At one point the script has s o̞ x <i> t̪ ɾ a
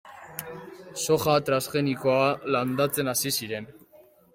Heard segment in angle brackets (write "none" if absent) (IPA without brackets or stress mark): a